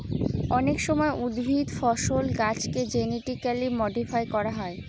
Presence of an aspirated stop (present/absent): absent